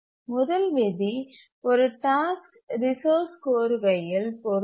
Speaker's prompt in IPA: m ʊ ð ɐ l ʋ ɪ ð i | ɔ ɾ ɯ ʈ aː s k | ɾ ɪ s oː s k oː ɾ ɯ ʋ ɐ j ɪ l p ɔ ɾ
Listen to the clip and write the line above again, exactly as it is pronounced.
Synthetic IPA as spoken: m ʊ ð ɐ l ʋ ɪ ð i | ɔ ɾ ɯ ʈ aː s k | ɾ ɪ s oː s k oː ɾ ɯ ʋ ɐ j ɪ l p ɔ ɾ